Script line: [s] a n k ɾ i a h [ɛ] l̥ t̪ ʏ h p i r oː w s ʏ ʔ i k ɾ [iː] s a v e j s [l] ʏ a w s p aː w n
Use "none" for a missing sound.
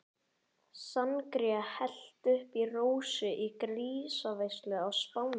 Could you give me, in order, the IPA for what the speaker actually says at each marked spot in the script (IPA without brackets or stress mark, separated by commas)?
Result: s, ɛ, iː, l